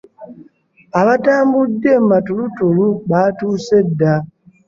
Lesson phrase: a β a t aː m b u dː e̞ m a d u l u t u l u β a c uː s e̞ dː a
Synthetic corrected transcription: a β a t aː m b u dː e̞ m a t u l u t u l u β a t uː s e̞ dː a

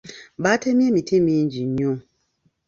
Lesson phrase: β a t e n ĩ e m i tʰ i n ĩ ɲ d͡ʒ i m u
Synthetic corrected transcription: b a t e m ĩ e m i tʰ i m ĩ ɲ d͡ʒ i ɲ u

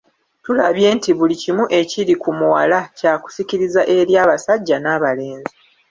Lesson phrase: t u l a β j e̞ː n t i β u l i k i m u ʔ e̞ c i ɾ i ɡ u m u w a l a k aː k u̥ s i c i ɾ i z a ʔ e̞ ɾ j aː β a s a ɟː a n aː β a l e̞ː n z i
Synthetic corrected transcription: t u l a β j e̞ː n t i β u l i c i m u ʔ e̞ c i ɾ i k u m u w a l a c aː k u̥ s i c i ɾ i z a ʔ e̞ ɾ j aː β a s a ɟː a n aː β a l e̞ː n z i

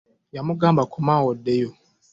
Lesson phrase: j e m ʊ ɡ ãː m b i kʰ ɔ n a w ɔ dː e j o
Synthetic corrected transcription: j a m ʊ ɡ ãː m b a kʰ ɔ m a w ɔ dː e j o

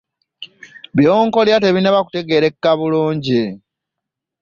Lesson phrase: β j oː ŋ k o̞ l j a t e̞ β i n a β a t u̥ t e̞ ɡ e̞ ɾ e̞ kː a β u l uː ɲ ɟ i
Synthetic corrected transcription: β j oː ŋ k o̞ l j a t e̞ β i n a β a k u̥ t e̞ ɡ e̞ ɾ e̞ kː a β u l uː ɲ ɟ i

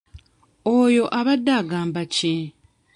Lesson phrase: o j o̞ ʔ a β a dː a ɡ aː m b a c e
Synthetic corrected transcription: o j o̞ ʔ a β a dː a ɡ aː m b a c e

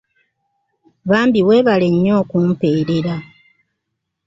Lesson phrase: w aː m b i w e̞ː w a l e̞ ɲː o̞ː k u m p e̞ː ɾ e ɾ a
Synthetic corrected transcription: β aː m b i w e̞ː β a l e̞ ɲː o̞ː k u m p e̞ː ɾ e ɾ a

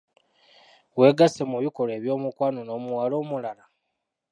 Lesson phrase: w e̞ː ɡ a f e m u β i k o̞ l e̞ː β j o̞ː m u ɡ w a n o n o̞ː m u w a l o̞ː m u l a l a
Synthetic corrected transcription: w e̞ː ɡ a s e m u β i k o̞ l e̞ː β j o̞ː m u k w a n o n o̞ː m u w a l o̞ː m u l a l a

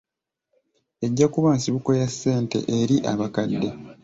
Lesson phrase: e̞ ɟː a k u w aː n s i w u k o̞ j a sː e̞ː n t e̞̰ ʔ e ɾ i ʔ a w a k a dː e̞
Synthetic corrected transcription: e̞ ɟː a k u β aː n s i β u k o̞ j a sː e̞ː n t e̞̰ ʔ e ɾ i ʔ a β a k a dː e̞

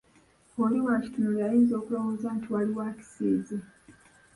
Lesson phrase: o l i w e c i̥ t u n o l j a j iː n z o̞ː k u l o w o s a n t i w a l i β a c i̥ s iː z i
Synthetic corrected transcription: o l i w a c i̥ t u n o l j a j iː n z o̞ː k u l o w o z a n t i w a l i w a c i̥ s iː z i

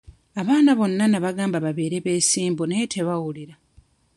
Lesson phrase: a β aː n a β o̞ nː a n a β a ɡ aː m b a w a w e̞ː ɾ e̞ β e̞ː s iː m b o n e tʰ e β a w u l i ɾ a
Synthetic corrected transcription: a β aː n a β o̞ nː a n a β a ɡ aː m b a β a β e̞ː ɾ e̞ β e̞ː s iː m b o n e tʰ e β a w u l i ɾ a

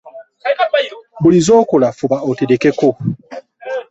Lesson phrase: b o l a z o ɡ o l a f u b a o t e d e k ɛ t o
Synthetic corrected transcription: b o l i z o k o l a f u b a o t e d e k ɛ k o

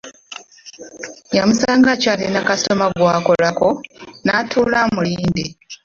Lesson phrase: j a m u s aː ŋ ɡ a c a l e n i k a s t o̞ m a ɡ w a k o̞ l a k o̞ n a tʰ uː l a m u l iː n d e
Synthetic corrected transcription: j a m u s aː ŋ ɡ a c a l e n a k a s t o̞ m a ɡ w a k o̞ l a k o̞ n a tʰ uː l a m u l iː n d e

